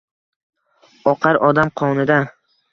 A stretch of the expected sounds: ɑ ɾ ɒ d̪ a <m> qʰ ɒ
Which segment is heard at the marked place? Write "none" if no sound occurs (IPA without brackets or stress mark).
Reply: m